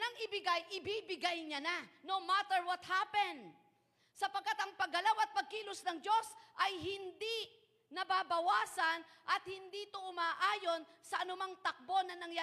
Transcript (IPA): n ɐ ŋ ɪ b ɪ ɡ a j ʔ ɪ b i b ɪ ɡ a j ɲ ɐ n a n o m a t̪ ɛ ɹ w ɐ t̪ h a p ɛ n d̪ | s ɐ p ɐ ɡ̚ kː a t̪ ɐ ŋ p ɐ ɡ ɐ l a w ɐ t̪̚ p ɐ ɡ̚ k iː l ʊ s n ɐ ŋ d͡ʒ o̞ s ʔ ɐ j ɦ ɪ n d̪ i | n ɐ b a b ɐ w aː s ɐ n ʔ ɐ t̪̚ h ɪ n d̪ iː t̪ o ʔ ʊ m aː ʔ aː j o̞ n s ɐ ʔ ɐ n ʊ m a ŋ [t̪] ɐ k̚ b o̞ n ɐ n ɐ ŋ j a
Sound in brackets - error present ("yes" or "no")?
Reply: no